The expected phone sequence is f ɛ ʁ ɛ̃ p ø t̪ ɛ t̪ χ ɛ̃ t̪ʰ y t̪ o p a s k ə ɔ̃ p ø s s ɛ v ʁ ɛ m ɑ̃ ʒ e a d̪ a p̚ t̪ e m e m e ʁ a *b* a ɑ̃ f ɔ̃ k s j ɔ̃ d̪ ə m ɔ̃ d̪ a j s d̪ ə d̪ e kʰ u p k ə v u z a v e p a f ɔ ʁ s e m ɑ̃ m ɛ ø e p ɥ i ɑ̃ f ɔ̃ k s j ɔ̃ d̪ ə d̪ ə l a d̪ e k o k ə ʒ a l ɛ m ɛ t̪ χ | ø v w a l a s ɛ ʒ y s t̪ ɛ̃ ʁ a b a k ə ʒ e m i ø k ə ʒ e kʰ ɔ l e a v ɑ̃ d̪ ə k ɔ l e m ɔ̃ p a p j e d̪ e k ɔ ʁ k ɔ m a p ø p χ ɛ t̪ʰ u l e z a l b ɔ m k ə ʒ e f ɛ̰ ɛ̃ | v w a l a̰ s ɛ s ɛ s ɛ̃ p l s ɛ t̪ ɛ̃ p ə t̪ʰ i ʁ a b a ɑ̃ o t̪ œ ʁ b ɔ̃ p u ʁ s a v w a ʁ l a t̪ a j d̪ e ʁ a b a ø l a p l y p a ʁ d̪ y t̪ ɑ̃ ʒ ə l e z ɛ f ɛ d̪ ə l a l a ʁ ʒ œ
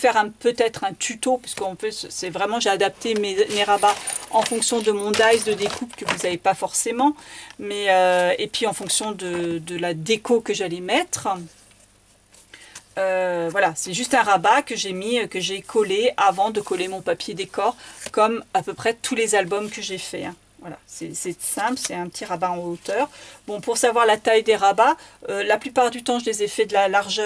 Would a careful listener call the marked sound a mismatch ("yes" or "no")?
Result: no